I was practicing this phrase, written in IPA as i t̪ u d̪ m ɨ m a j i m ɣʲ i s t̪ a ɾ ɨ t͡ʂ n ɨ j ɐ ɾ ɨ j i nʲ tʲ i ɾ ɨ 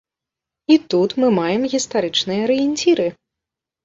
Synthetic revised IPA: i t̪ u t̪ m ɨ m a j ɛ m ɣʲ i s t̪ a ɾ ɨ t͡ʂ n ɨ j ɐ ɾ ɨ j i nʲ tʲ i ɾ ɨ